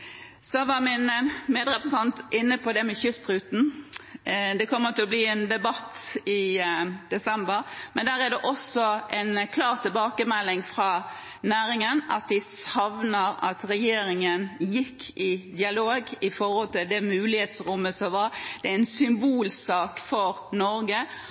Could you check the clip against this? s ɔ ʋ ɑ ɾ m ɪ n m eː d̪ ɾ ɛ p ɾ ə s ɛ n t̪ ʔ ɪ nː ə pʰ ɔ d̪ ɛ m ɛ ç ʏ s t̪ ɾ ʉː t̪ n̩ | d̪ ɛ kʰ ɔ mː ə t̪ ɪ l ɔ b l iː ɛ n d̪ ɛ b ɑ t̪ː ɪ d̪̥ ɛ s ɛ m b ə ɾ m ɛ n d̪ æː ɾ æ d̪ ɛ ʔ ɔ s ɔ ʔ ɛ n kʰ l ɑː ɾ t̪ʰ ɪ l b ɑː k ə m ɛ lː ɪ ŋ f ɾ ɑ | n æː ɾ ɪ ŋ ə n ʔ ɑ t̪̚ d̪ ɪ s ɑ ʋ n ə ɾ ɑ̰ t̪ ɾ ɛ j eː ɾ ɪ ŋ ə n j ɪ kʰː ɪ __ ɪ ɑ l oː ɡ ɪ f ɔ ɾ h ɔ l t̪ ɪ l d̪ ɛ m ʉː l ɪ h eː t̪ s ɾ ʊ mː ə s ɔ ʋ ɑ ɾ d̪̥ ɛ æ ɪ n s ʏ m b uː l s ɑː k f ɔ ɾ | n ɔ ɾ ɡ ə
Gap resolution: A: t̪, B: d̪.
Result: B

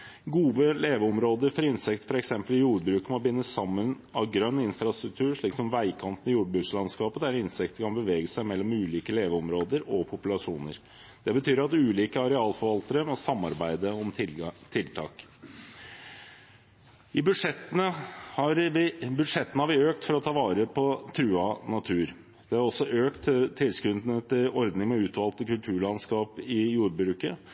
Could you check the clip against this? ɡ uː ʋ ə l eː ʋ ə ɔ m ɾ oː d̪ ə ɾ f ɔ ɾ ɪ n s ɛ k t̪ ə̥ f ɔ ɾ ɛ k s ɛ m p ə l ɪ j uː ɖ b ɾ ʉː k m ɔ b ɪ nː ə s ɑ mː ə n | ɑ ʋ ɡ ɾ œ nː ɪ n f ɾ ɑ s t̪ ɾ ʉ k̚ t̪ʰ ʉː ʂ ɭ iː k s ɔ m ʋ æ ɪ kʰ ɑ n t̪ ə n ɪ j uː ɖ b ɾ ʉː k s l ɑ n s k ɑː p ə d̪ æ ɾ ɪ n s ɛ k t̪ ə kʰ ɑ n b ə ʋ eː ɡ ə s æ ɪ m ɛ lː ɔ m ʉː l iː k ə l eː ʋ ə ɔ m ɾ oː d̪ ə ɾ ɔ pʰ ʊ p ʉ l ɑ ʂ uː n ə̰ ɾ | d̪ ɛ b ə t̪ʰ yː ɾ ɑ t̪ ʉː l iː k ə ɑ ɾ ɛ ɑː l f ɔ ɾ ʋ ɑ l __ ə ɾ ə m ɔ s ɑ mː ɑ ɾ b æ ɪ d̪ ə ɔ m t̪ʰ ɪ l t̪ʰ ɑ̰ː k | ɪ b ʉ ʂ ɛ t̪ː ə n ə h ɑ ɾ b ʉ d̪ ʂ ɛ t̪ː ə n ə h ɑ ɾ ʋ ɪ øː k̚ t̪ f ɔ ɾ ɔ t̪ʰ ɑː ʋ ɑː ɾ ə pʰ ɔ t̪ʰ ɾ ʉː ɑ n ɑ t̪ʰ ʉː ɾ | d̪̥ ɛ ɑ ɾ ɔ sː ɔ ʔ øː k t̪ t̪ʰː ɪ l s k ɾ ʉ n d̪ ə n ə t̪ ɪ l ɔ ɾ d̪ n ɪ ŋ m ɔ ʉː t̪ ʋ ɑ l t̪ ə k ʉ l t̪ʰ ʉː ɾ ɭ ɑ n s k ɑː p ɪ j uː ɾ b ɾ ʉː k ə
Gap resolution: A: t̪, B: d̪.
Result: A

